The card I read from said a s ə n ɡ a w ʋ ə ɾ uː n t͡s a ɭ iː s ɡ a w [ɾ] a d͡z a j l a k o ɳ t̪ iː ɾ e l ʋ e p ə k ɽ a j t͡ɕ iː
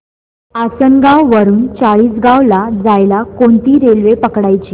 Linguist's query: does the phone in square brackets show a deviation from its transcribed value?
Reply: yes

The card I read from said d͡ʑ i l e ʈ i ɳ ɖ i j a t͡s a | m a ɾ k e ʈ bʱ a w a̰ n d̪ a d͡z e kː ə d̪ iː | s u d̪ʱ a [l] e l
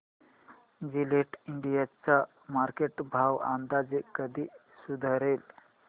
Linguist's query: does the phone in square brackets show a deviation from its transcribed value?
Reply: yes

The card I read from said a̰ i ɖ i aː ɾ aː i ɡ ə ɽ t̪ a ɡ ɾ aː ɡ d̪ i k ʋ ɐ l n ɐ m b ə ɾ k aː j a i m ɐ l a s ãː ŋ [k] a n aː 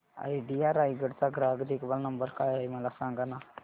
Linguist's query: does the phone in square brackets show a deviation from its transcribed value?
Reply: yes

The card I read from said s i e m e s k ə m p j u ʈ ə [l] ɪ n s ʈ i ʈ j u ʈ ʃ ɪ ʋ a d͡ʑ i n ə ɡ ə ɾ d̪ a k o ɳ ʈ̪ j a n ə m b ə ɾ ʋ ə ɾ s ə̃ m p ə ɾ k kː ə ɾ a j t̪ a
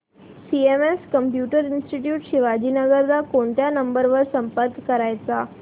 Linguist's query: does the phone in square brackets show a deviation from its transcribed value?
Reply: yes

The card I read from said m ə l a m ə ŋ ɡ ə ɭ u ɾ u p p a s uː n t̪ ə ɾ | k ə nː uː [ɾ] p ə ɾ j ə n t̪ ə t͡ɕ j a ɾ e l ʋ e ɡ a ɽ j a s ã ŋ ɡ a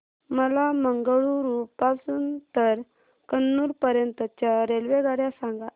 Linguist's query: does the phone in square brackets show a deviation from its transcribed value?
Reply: no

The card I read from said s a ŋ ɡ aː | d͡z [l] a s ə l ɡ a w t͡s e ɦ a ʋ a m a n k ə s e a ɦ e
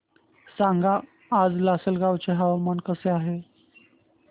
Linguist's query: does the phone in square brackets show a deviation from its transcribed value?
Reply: no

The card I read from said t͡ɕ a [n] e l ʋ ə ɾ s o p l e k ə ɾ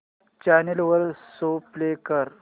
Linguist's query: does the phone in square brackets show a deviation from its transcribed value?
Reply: no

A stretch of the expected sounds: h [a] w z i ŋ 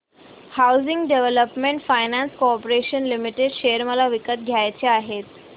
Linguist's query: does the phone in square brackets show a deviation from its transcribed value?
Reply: no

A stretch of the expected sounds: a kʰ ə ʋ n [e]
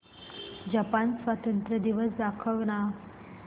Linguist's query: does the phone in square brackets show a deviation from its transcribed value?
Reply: yes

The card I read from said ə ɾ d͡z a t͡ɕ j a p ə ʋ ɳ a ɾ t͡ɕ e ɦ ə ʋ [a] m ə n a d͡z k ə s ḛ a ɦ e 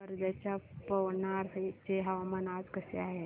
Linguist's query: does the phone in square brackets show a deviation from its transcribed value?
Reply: no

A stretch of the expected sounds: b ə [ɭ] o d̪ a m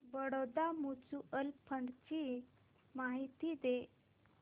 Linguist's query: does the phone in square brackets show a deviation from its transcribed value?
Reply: yes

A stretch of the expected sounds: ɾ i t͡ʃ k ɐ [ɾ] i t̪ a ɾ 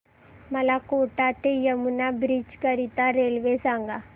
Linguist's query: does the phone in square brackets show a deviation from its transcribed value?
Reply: no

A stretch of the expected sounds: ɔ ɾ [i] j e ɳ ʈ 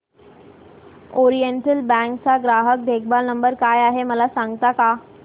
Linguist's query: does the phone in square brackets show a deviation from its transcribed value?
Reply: no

